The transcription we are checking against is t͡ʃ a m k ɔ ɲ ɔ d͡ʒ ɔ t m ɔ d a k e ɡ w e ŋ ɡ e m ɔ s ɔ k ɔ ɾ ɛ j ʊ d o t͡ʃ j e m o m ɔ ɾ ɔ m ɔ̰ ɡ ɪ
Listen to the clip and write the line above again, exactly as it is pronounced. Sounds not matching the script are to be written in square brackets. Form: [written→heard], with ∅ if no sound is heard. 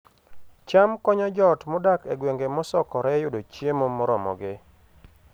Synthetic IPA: t͡ʃ a m k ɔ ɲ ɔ d͡ʒ ɔ t m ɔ d a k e ɡ w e ŋ ɡ e m ɔ s ɔ k ɔ ɾ ɛ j ʊ d o t͡ʃ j e m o m ɔ ɾ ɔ m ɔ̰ ɡ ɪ